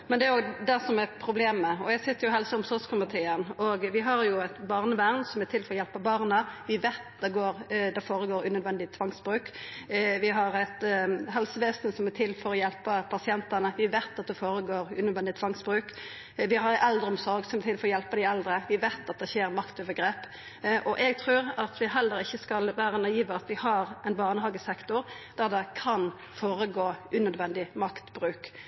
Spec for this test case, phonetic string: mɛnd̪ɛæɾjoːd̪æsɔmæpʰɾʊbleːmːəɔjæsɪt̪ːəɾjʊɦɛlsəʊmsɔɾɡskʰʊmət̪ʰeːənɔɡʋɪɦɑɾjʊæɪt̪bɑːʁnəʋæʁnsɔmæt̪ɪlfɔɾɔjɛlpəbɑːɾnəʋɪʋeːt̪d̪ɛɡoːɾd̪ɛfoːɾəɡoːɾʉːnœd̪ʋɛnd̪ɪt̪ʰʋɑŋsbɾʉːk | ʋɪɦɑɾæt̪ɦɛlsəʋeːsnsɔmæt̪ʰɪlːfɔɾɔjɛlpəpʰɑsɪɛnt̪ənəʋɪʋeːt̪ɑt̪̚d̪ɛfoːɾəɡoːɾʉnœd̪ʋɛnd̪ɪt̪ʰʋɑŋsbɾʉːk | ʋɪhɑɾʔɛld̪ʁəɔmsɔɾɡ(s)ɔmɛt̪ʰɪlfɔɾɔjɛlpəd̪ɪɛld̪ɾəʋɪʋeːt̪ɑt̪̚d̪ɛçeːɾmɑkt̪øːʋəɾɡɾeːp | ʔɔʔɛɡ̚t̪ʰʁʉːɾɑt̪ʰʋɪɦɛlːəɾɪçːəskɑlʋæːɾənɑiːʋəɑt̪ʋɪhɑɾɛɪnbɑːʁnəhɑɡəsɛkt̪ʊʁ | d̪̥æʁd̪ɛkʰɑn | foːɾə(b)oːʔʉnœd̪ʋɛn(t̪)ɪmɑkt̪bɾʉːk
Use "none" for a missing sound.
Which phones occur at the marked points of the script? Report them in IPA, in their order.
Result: s, ɡ, d̪

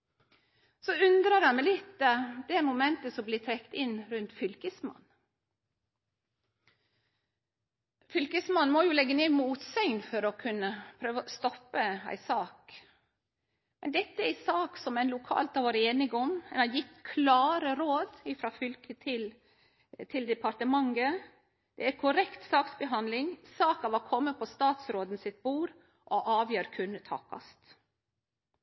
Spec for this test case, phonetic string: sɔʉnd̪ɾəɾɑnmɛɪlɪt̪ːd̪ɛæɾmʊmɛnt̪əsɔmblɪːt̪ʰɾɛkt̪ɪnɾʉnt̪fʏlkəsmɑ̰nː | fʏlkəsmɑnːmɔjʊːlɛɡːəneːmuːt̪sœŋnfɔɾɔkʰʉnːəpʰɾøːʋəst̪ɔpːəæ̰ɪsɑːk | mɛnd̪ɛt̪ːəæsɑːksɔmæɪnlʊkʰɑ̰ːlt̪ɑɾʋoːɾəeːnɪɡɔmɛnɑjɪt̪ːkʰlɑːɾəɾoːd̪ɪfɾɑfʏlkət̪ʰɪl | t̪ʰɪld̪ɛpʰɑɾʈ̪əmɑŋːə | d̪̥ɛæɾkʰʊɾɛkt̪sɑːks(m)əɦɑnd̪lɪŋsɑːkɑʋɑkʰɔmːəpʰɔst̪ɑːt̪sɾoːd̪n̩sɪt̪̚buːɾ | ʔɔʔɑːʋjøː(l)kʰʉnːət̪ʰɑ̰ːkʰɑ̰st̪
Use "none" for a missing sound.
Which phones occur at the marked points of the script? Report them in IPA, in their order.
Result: b, ɾ

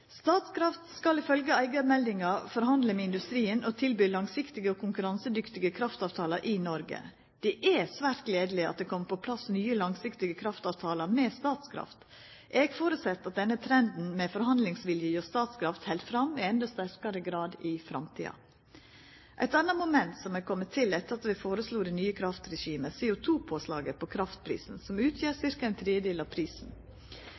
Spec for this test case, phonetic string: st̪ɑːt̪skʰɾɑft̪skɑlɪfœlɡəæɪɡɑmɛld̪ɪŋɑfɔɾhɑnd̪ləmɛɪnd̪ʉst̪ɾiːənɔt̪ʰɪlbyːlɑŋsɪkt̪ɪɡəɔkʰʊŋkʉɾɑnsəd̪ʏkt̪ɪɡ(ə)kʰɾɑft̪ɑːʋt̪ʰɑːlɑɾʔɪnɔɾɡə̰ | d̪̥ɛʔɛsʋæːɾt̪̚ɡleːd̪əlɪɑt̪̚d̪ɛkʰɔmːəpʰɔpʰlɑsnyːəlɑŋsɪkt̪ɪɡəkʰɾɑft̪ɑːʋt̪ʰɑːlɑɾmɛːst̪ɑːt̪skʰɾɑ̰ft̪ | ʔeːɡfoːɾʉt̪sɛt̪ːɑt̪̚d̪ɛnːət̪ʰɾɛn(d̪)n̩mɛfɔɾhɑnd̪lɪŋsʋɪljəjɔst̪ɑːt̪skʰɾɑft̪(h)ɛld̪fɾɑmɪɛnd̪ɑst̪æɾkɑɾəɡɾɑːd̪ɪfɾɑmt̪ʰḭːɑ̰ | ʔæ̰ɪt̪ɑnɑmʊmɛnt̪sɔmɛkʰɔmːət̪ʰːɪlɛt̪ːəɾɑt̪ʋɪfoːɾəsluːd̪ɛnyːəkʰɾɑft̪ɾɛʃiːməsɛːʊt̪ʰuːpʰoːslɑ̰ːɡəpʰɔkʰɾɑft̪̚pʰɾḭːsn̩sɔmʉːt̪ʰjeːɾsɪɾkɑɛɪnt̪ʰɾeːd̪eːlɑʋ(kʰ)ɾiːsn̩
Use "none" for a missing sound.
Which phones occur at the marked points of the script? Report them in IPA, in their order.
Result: ə, d̪, h, pʰ

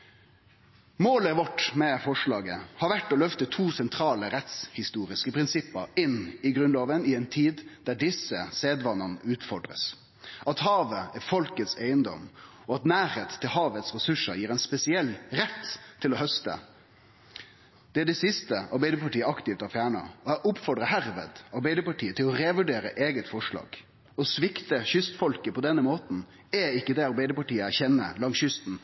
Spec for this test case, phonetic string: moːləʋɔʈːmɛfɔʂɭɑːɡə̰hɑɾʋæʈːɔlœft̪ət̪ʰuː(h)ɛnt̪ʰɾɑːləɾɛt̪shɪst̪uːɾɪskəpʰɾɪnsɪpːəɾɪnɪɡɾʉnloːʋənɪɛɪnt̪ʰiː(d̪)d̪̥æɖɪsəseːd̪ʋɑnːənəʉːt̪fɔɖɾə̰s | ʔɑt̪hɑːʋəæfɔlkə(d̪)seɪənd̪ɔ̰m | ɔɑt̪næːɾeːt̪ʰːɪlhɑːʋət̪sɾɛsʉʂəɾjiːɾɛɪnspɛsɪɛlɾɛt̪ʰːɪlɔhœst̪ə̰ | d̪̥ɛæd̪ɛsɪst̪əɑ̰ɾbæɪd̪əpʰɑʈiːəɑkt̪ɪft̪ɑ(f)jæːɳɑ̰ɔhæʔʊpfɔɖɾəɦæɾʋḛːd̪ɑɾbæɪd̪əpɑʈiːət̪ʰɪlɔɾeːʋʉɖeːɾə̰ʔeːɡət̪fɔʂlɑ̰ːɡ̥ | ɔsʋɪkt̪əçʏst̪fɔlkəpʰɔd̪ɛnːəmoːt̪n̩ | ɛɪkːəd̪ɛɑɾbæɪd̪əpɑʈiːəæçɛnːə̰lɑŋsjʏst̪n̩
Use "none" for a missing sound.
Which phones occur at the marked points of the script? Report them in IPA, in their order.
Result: s, d̪, t̪, f

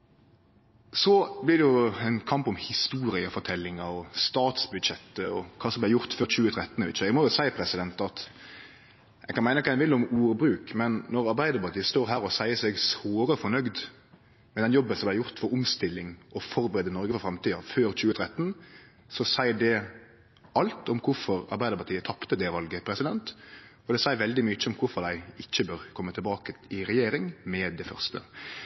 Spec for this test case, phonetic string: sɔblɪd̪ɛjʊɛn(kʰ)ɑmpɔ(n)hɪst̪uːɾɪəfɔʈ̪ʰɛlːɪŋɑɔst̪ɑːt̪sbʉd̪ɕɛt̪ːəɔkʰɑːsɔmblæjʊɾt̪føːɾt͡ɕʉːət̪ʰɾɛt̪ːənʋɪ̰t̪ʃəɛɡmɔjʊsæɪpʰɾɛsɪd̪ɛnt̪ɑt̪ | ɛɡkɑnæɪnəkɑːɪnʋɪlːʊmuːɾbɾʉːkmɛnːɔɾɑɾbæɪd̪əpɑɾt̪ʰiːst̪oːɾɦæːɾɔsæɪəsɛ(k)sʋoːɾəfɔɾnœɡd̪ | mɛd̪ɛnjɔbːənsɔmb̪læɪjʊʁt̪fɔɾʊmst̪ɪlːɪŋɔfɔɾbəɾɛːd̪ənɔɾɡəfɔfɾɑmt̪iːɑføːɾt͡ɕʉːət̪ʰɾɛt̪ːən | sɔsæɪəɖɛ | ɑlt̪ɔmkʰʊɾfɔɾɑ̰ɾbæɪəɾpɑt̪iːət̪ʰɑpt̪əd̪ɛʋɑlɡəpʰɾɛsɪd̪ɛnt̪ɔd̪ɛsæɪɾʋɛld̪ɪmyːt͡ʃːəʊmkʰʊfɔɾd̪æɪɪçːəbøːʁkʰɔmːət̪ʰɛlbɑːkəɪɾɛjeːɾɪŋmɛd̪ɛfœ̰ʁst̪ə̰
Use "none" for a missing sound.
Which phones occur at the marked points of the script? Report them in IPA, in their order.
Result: kʰ, m, ɡ

